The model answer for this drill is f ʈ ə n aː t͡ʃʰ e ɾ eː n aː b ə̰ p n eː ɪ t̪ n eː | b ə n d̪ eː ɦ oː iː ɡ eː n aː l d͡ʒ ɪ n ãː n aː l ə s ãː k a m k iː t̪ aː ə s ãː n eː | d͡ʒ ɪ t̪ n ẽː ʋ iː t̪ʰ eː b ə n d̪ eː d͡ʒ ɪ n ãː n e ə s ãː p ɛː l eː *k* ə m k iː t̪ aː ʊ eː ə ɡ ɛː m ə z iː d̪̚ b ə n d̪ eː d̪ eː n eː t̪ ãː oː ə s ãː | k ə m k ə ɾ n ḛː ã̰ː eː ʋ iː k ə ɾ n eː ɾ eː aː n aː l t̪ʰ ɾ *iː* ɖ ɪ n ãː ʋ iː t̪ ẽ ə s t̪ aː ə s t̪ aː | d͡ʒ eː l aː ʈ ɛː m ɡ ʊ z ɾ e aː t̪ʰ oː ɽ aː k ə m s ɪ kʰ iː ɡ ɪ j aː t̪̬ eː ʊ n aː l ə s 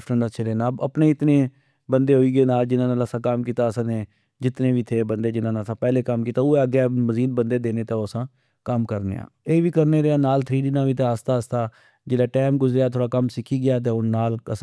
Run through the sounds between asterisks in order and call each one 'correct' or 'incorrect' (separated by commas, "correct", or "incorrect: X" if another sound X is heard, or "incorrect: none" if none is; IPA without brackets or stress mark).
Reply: correct, correct